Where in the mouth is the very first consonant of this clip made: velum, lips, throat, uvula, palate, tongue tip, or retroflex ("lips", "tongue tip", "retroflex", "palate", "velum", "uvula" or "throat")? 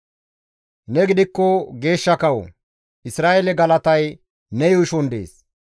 tongue tip